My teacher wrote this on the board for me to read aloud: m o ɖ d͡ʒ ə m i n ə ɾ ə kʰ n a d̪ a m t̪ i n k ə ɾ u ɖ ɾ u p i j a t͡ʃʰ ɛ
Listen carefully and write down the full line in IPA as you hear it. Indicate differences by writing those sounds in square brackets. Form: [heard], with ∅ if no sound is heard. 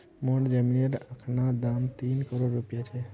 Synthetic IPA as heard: m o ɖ d͡ʒ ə m i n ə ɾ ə kʰ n a d̪ a m t̪ i n k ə ɾ [o] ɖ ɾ u p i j a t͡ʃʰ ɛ